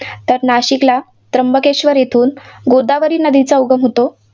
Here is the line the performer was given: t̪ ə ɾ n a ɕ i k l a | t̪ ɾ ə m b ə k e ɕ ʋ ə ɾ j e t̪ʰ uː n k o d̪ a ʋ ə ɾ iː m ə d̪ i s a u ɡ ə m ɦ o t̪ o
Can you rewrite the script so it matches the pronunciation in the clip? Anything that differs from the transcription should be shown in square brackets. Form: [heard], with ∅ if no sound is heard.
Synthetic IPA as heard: t̪ ə ɾ n a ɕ i k l a | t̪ ɾ ə m b ə k e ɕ ʋ ə ɾ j e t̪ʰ uː n [ɡ] o d̪ a ʋ ə ɾ iː [n] ə d̪ i [t͡s] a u ɡ ə m ɦ o t̪ o